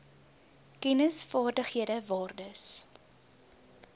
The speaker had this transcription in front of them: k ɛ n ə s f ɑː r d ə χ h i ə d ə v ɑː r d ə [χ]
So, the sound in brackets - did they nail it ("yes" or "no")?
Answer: no